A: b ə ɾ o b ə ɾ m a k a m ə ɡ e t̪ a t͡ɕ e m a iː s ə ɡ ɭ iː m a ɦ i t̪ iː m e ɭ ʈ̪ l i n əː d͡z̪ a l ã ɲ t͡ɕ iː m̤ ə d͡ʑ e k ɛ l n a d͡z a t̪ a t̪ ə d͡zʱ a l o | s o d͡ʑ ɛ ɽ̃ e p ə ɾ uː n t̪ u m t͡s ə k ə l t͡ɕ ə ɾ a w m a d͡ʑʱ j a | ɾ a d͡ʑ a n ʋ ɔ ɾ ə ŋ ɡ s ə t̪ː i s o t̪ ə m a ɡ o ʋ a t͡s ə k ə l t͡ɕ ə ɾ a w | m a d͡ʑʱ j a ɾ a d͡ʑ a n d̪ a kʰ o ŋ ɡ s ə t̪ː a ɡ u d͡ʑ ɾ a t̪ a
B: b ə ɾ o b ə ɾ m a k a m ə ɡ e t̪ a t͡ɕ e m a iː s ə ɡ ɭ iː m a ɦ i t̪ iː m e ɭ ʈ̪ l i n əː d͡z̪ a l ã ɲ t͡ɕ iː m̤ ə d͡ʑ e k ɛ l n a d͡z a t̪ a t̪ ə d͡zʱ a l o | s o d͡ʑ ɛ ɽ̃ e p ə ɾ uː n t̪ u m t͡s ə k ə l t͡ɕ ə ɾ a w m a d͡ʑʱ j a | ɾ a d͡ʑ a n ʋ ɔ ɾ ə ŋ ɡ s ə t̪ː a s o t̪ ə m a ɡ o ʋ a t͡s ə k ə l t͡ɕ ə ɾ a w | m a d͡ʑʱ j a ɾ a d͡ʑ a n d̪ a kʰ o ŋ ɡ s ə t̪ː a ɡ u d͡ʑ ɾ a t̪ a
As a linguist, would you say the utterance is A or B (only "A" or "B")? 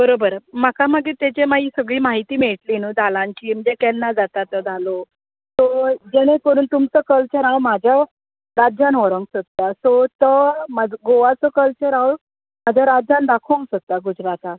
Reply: B